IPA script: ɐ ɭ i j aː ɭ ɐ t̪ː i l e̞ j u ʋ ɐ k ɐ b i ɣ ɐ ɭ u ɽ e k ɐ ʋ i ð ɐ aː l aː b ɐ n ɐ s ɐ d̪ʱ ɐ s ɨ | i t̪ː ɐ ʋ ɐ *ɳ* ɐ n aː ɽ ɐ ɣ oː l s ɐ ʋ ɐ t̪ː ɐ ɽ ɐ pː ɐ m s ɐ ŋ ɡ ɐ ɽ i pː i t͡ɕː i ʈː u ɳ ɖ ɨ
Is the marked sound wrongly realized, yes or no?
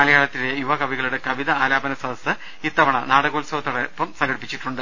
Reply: no